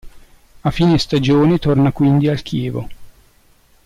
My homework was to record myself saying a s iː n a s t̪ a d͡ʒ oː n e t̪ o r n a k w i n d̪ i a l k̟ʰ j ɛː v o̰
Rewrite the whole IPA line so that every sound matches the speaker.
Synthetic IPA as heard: a f iː n e s t̪ a d͡ʒ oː n e t̪ o r n a k w i n d̪ i a l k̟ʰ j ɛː v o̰

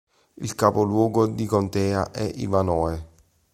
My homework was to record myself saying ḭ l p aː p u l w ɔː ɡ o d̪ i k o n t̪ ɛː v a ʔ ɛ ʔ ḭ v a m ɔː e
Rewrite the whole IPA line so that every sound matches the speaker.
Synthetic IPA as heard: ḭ l k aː p o l w ɔː ɡ o d̪ i k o n t̪ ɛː a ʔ ɛ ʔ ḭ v a n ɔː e

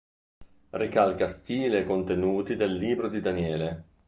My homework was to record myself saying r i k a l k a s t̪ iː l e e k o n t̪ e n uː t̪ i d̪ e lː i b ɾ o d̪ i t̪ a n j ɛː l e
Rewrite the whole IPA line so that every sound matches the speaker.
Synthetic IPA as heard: r i k a l k a s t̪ iː l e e k o n t̪ e n uː t̪ i d̪ e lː iː b ɾ o d̪ i d̪ a n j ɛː l e

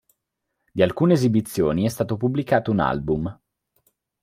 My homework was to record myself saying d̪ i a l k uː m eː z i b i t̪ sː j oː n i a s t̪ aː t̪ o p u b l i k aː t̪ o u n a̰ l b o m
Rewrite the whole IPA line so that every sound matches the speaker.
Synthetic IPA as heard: d̪ i a l k uː n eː z i b i t̪ sː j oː n i ɛ s t̪ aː t̪ o p u b l i k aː t̪ o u n a̰ l b u m

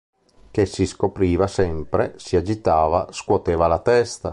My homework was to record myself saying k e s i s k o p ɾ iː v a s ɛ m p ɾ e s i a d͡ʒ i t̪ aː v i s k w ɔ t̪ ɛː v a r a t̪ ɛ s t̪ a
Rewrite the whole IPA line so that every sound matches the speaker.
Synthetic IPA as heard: k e s i s k o p ɾ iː v a s ɛ m p ɾ e s i a d͡ʒ i t̪ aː v a s k w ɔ t̪ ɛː v a l a t̪ ɛ s t̪ a

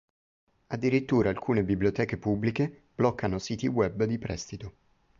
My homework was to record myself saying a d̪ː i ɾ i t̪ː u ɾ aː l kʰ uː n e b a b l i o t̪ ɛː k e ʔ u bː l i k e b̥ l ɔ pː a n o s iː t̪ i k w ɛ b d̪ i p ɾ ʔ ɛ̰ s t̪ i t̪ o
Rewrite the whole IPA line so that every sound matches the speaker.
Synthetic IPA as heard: a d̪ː i ɾ i t̪ː uː ɾ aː l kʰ uː n e b i b l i o t̪ ɛː k e p u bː l i k e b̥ l ɔ kː a n o s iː t̪ i w ɛ b d̪ i p ɾ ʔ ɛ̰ s t̪ i t̪ o

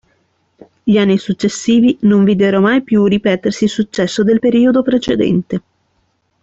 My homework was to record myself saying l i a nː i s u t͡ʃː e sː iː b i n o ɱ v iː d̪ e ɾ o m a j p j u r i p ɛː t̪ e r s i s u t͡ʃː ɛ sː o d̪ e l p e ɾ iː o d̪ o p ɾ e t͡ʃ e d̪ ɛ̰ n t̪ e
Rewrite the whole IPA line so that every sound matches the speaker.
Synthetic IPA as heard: ʎ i a nː i s u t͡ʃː e sː iː v i n o ɱ v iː d̪ e ɾ o m a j p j u r i p ɛː t̪ e r s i s u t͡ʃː ɛ sː o d̪ e l p e ɾ iː o d̪ o p ɾ e t͡ʃ e d̪ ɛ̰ n t̪ e

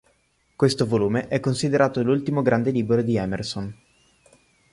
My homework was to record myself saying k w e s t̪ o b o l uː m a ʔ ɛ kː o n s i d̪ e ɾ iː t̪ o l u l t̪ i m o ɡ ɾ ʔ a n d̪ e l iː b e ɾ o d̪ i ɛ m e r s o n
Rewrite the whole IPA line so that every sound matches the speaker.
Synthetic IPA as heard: k w e s t̪ o v o l uː m e ʔ ɛ kː o n s i d̪ e ɾ aː t̪ o l u l t̪ i m o ɡ ɾ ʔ a n d̪ e l iː b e ɾ o d̪ i ɛ m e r s o n

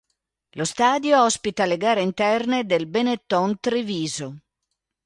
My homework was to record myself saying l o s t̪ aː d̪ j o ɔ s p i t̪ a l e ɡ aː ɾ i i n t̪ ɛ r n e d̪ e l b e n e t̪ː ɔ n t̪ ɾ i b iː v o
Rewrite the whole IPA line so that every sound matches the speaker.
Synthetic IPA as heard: l o s t̪ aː d̪ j o ɔ s p i t̪ a l e ɡ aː ɾ e i n t̪ ɛ r n e d̪ e l b e n e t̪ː ɔ n t̪ ɾ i v iː z o

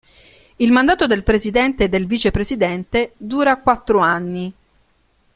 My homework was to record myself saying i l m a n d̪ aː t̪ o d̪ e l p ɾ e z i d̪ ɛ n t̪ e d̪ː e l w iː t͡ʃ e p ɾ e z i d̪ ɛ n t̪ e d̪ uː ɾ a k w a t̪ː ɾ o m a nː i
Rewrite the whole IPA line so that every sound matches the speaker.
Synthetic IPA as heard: i l m a n d̪ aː t̪ o d̪ e l p ɾ e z i d̪ ɛ n t̪ e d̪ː e l v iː t͡ʃ e p ɾ e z i d̪ ɛ n t̪ e d̪ uː ɾ a k w a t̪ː ɾ o a nː i

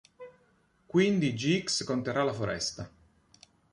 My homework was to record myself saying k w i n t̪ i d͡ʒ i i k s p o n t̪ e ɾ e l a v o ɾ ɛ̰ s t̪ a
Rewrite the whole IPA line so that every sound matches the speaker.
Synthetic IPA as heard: k w i n d̪ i d͡ʒ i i k s k o n t̪ e ɾ a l a f o ɾ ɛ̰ s t̪ a

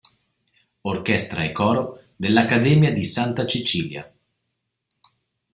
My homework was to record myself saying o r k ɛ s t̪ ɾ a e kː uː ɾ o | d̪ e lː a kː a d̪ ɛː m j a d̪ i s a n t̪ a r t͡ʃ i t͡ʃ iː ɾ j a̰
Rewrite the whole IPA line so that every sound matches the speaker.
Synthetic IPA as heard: o r k ɛ s t̪ ɾ a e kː ɔː ɾ o | d̪ e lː a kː a d̪ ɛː m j a d̪ i s a n t̪ a t͡ʃ i t͡ʃ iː l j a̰

